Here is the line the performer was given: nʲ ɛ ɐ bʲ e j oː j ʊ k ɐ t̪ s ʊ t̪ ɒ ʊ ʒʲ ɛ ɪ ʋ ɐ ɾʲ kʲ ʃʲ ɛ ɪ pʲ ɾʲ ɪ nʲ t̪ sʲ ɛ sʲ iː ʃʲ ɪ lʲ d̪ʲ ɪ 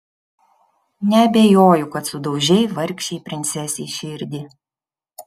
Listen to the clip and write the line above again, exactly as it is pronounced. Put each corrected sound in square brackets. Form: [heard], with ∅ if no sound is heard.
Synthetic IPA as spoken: nʲ ɛ ɐ bʲ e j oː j ʊ k ɐ t̪ s ʊ [d̪] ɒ ʊ ʒʲ ɛ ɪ ʋ ɐ ɾʲ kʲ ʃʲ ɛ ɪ pʲ ɾʲ ɪ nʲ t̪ sʲ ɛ sʲ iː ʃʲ ɪ [ɾʲ] d̪ʲ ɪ

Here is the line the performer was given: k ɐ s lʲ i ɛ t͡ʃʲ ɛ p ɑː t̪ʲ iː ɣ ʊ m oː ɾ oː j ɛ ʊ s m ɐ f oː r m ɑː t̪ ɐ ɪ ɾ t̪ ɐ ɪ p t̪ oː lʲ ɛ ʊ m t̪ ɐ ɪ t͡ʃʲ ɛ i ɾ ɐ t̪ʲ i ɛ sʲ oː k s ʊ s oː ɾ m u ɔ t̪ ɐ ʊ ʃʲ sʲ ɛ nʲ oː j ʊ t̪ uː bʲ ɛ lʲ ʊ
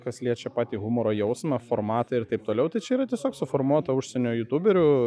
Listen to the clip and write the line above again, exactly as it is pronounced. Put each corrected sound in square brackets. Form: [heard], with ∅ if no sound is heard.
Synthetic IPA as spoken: k ɐ s lʲ i ɛ t͡ʃʲ ɛ p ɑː t̪ʲ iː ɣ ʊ m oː ɾ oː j ɛ ʊ s m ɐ f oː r m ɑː t̪ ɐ ɪ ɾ t̪ ɐ ɪ p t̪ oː lʲ ɛ ʊ [∅] t̪ ɐ ɪ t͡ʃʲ ɛ i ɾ ɐ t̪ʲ i ɛ sʲ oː k s ʊ [f] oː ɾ m u ɔ t̪ ɐ ʊ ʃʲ sʲ ɛ nʲ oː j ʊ t̪ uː bʲ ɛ [ɾʲ] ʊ

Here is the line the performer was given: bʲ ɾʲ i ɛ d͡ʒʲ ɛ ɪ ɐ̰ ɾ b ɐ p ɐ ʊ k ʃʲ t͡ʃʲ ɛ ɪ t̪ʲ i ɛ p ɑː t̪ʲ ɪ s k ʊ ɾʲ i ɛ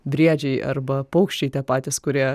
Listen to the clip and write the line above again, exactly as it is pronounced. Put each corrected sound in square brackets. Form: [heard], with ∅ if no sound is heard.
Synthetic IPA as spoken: bʲ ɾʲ i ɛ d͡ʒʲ ɛ ɪ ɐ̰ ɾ b ɐ p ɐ ʊ k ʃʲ t͡ʃʲ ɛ ɪ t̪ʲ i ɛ p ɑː t̪ʲ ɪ s k ʊ ɾʲ i ɛ

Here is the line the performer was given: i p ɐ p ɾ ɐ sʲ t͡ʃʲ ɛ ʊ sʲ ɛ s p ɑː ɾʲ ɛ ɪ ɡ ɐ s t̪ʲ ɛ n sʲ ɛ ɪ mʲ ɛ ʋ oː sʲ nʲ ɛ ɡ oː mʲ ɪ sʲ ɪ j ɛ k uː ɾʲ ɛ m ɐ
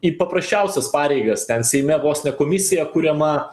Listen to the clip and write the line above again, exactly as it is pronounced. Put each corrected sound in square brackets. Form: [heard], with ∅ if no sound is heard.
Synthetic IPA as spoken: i p ɐ p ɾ ɐ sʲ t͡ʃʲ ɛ ʊ sʲ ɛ s p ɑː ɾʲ ɛ ɪ ɡ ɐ s t̪ʲ ɛ n sʲ ɛ ɪ mʲ ɛ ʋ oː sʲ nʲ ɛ [k] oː mʲ ɪ sʲ ɪ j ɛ k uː ɾʲ ɛ m ɐ

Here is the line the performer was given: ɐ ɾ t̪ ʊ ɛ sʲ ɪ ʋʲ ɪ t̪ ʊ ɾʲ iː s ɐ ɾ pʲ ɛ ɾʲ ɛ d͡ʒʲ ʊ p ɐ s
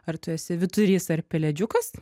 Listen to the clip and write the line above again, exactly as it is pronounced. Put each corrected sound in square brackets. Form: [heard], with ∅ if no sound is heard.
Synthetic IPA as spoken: ɐ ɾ t̪ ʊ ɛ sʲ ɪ ʋʲ ɪ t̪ ʊ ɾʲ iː s ɐ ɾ pʲ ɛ [lʲ] ɛ d͡ʒʲ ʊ [k] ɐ s

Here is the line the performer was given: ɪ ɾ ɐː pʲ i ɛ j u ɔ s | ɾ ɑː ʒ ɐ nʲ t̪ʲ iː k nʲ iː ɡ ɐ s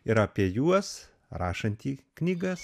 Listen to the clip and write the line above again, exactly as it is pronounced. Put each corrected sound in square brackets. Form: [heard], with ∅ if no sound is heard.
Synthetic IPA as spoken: ɪ ɾ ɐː pʲ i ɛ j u ɔ s | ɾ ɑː [ʃ] ɐ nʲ t̪ʲ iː k nʲ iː ɡ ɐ s

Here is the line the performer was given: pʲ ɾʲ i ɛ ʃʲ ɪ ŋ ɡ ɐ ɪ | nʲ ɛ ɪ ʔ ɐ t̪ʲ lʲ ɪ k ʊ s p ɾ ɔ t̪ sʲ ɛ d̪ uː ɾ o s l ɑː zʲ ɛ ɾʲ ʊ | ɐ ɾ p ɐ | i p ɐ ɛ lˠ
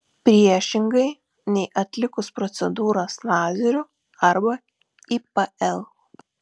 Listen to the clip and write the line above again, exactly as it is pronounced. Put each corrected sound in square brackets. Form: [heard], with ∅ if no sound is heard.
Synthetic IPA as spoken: pʲ ɾʲ i ɛ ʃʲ ɪ ŋ ɡ ɐ ɪ | nʲ ɛ ɪ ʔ ɐ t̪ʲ lʲ ɪ k ʊ s p ɾ ɔ t̪ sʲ ɛ d̪ uː ɾ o s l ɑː zʲ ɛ ɾʲ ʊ | ɐ ɾ [b] ɐ | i p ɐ ɛ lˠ

